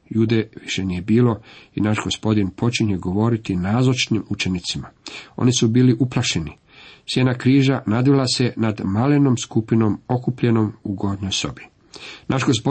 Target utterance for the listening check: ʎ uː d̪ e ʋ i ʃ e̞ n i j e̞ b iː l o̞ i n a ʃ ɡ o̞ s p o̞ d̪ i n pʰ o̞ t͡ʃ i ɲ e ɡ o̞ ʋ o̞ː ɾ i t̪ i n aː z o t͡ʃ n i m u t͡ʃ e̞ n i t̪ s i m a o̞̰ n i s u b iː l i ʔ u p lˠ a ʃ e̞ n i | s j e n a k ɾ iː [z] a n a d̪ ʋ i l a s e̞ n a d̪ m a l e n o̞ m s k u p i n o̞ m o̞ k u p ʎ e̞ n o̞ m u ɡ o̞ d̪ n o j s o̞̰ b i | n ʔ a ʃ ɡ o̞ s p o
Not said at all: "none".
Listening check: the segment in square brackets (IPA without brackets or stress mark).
ʒ